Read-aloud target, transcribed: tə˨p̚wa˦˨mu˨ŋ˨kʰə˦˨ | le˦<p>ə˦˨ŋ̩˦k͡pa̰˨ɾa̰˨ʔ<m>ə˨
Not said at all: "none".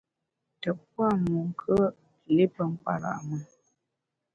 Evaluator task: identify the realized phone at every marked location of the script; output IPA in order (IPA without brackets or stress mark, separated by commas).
p, m